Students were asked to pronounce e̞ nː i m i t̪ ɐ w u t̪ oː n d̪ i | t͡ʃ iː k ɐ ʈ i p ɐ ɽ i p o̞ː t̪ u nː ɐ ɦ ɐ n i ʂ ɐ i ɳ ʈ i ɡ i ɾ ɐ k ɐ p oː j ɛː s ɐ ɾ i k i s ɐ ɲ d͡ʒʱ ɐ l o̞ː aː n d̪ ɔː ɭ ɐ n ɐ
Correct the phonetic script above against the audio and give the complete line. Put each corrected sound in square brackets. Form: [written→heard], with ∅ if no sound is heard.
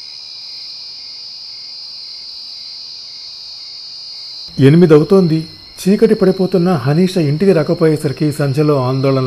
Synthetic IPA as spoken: e̞ [nː→n] i m i [t̪→d̪] ɐ w u t̪ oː n d̪ i | t͡ʃ iː k ɐ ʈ i p ɐ ɽ i p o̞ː t̪ u nː ɐ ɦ ɐ n [i→iː] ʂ ɐ i ɳ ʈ i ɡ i ɾ ɐ k ɐ p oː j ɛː s ɐ ɾ i k i s ɐ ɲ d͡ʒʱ ɐ l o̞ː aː n d̪ ɔː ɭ ɐ n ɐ